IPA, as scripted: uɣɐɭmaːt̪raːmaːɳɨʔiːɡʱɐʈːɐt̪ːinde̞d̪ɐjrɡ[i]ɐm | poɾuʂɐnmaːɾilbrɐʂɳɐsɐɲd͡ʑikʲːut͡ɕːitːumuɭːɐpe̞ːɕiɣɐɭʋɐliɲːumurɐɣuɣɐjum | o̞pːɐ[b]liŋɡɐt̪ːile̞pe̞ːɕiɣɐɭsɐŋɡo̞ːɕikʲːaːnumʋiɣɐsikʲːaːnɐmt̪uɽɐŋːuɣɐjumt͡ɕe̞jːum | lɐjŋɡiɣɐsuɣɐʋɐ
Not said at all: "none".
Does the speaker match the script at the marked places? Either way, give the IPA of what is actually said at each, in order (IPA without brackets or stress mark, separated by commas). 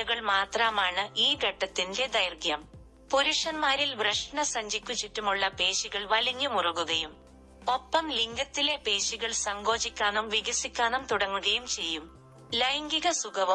j, m